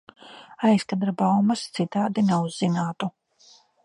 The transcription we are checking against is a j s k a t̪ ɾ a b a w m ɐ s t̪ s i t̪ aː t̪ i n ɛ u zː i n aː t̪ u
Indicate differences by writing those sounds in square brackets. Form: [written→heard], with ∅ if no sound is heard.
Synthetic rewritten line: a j s k a [t̪→d̪] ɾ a b a w m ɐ s t̪ s i t̪ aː [t̪→d̪] i n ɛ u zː i n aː t̪ u